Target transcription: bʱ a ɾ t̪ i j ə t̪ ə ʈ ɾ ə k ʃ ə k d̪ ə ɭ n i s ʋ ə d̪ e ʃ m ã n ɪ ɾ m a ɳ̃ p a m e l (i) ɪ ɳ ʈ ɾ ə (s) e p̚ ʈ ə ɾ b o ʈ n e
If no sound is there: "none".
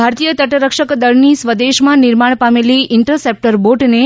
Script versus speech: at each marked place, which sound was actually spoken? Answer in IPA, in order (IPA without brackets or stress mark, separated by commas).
i, s